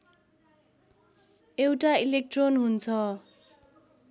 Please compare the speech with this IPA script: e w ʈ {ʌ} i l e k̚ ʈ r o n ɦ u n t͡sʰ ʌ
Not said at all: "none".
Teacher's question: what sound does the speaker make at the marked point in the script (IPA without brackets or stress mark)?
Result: a